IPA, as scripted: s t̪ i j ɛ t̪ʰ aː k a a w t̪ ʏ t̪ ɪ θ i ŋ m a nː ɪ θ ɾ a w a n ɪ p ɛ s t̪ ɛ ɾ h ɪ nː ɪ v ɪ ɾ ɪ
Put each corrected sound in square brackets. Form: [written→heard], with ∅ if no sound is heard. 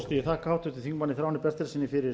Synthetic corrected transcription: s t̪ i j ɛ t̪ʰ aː k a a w t̪ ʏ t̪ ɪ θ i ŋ m a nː ɪ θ ɾ a w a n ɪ p ɛ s t̪ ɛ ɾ [h→s] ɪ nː ɪ [v→f] ɪ ɾ ɪ